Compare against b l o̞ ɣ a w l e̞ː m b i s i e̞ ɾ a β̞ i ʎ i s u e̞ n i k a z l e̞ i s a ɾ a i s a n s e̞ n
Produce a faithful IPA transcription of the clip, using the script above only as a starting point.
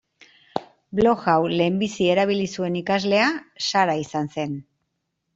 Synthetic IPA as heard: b l o̞ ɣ a w l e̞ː m b i s i e̞ ɾ a β̞ i l i s u e̞ n i k a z l e̞ a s a ɾ a i s a n s e̞ n